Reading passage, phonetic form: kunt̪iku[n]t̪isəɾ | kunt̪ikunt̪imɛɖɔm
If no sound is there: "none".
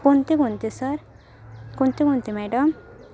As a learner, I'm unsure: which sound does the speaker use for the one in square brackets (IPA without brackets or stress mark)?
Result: n